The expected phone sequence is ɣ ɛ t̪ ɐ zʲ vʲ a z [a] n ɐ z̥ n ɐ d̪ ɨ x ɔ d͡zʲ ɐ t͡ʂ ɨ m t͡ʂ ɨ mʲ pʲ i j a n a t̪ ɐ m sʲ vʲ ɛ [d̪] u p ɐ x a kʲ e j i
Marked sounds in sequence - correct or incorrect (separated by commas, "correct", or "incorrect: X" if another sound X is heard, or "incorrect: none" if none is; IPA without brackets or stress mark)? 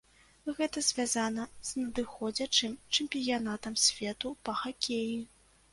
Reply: correct, incorrect: t̪